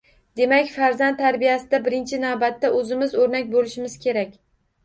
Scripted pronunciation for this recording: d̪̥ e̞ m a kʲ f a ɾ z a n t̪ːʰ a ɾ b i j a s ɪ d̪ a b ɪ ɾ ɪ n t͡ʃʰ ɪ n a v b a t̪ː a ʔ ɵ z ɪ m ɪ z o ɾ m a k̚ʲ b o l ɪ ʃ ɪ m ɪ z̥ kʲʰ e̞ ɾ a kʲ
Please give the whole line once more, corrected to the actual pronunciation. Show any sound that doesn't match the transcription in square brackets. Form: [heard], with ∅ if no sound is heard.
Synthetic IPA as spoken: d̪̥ e̞ m a kʲ f a ɾ z a n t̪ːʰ a ɾ b i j a s ɪ d̪ a b ɪ ɾ ɪ n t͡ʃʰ ɪ n a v b a t̪ː a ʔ ɵ z ɪ m ɪ z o ɾ [n] a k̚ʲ b o l ɪ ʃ ɪ m ɪ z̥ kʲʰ e̞ ɾ a kʲ